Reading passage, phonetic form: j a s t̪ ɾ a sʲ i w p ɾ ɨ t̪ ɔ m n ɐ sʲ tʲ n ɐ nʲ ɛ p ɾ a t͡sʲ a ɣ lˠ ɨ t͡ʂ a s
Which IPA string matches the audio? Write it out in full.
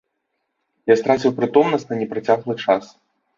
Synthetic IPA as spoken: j a s t̪ ɾ a t͡sʲ i w p ɾ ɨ t̪ ɔ m n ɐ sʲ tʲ n ɐ nʲ ɛ p ɾ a t͡sʲ a ɣ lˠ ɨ t͡ʂ a s